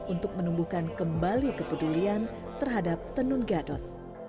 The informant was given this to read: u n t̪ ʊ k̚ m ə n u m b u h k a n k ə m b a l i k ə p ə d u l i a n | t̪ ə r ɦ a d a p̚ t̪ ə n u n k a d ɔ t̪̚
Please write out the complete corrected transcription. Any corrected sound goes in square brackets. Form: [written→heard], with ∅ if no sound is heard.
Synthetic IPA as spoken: u n t̪ ʊ k̚ m ə n u m b u h k a n k ə m b a l i k ə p ə d u l i a n | t̪ ə r ɦ a d a p̚ t̪ ə n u n [k→ɡ] a d ɔ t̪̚